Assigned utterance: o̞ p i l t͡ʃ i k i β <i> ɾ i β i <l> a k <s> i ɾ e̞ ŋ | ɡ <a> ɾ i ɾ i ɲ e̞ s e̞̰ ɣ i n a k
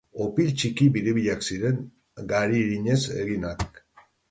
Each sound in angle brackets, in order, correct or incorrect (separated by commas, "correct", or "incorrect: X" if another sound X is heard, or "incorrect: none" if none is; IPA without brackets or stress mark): correct, incorrect: ʎ, correct, correct